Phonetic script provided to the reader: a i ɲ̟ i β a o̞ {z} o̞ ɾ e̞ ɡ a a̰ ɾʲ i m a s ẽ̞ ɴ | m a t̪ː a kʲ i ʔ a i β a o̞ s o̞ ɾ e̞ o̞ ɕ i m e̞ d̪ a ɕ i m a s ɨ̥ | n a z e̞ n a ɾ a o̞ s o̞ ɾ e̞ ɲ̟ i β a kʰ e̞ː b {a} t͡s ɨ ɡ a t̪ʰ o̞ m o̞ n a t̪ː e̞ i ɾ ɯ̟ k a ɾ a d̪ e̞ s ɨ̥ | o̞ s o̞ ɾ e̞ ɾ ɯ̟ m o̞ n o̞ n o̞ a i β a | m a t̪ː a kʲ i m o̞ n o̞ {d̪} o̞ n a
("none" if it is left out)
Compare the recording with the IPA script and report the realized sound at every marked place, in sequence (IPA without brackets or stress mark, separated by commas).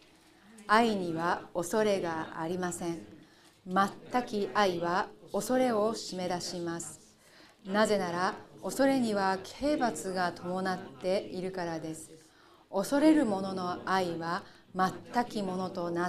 s, a, t̪